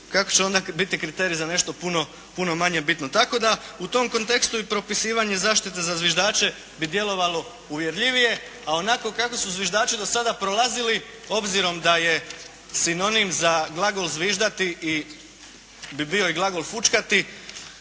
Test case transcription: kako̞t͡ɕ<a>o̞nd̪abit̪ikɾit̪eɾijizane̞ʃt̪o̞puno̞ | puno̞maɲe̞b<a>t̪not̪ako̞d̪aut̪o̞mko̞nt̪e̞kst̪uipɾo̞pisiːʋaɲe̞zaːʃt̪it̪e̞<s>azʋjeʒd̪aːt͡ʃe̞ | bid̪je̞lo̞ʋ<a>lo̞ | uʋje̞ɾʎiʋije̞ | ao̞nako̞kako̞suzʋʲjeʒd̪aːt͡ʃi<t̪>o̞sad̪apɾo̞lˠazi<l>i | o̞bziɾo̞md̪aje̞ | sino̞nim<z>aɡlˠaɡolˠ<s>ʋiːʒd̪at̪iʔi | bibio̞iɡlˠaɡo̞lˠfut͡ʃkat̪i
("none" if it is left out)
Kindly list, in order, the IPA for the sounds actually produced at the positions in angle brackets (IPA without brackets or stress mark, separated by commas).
e, i, z, a, d̪, l, z, z